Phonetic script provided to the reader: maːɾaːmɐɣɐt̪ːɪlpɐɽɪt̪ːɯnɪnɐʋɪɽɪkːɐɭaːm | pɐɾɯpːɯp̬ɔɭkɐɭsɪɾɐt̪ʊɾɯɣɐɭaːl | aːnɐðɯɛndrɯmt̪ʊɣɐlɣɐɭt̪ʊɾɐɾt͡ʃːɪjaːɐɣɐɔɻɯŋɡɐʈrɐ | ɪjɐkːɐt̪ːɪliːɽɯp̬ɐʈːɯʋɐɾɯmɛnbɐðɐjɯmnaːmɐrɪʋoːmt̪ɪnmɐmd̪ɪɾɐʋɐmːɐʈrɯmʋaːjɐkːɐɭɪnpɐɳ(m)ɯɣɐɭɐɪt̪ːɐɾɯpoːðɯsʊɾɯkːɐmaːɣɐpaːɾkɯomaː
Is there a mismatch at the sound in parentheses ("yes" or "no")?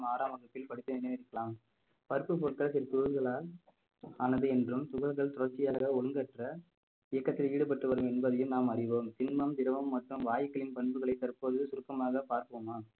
yes